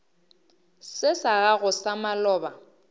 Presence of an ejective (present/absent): absent